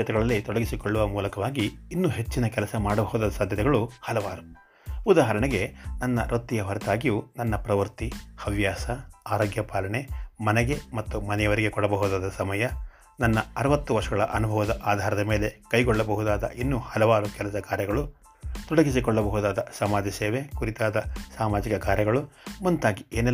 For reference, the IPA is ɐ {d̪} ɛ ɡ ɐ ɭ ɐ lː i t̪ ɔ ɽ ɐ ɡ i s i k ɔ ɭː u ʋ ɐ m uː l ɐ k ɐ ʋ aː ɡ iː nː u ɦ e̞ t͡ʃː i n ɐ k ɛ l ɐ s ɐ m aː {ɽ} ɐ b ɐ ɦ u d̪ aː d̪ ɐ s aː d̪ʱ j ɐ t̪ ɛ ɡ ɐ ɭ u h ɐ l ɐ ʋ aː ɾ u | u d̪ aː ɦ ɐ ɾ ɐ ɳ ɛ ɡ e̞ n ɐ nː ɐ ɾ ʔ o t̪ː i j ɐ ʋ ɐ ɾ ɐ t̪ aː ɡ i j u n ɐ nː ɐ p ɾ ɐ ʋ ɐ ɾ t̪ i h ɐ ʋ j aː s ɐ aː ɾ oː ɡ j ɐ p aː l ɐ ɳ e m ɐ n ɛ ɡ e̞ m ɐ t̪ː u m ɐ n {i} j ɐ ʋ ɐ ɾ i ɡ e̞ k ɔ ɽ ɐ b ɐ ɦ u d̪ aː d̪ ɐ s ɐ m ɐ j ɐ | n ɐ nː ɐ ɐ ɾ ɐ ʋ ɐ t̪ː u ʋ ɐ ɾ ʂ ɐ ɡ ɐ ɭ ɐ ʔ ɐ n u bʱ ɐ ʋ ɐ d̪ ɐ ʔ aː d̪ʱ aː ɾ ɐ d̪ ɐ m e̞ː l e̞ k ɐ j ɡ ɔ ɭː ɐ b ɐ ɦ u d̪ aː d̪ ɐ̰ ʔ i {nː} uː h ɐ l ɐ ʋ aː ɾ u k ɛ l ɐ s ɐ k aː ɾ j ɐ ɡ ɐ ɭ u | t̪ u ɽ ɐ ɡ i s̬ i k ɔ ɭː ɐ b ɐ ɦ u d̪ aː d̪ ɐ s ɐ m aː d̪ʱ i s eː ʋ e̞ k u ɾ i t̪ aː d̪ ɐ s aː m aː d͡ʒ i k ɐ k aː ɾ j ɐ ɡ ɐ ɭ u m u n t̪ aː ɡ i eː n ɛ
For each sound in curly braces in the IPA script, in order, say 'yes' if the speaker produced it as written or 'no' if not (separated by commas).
no, yes, no, yes